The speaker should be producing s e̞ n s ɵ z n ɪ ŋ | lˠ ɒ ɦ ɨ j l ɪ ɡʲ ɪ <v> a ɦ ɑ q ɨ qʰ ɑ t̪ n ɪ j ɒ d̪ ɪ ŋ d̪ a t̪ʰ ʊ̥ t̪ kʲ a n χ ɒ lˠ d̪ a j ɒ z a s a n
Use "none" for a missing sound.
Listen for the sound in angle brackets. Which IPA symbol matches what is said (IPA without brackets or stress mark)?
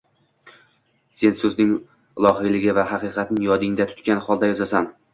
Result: v